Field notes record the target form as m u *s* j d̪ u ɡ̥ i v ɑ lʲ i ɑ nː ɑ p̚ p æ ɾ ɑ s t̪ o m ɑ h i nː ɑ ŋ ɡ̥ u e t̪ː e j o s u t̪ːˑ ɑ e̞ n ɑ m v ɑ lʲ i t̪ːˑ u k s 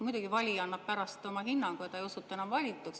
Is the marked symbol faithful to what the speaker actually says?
no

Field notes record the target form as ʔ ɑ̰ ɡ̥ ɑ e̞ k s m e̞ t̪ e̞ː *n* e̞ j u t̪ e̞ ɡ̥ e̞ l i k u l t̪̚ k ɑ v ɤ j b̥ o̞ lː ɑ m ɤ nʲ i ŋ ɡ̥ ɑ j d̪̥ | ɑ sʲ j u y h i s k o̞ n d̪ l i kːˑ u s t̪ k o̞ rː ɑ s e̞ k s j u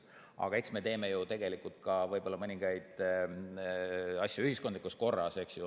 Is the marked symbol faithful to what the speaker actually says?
no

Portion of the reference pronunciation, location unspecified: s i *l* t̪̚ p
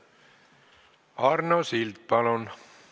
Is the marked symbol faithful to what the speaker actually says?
yes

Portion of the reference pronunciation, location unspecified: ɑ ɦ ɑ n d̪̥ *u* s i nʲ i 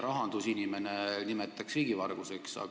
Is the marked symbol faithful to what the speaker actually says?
yes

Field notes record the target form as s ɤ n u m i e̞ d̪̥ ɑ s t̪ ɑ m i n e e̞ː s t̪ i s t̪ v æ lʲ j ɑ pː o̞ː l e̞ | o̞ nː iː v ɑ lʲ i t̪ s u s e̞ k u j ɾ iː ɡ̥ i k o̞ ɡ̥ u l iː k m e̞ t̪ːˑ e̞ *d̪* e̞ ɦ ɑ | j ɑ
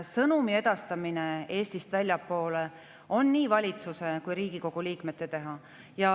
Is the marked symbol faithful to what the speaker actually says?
no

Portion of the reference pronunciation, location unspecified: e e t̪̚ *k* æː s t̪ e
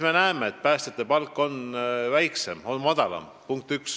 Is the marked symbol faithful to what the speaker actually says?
no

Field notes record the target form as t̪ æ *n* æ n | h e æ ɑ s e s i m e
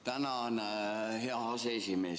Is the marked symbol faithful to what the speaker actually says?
yes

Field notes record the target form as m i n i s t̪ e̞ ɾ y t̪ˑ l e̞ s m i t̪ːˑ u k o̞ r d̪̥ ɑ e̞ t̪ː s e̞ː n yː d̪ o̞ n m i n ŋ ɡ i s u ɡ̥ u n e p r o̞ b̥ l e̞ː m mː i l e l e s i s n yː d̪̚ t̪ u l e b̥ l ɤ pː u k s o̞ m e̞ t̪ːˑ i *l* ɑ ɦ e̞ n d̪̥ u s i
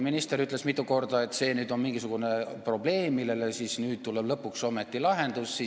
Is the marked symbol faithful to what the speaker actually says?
yes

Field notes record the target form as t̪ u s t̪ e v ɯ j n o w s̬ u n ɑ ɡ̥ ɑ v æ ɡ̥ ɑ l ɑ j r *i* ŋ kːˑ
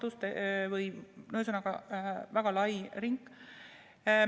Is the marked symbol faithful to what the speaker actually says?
yes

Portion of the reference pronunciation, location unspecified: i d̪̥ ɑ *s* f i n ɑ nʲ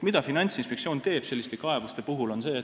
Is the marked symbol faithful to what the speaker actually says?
no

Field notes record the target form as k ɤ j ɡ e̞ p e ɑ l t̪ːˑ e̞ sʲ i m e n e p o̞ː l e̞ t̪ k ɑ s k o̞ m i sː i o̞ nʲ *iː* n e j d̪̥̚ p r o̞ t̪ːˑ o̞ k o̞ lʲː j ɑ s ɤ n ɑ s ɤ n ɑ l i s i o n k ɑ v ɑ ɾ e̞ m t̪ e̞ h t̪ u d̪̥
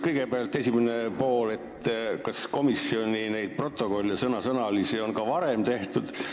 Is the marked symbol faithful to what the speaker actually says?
no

